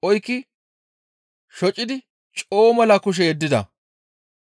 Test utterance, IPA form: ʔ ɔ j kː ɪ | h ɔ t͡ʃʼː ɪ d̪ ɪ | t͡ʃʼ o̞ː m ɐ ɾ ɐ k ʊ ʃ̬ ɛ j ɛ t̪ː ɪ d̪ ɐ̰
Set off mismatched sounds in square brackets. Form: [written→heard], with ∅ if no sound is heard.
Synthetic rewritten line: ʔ ɔ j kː ɪ | [h→ʃ] ɔ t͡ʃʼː ɪ d̪ ɪ | t͡ʃʼ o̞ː m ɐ [ɾ→l] ɐ k ʊ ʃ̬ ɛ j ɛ [t̪ː→d̪ː] ɪ d̪ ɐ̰